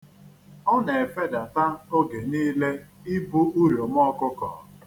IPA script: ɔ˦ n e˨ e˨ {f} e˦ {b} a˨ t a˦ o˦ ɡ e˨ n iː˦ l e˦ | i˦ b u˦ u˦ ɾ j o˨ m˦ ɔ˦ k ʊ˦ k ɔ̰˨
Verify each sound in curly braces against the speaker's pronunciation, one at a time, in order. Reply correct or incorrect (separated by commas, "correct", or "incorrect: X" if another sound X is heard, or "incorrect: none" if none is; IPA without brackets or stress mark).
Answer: correct, incorrect: d